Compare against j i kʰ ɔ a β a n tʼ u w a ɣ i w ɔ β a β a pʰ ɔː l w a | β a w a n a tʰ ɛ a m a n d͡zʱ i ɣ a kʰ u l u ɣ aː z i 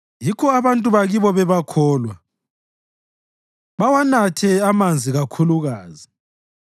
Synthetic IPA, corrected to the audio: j i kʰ ɔ a β a n tʼ u β a ɣ i β ɔ β ɛ β a kʰ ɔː l w a | β a w a n a tʰ ɛ a m a n d͡zʱ i ɣ a kʰ u l u ɣ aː z i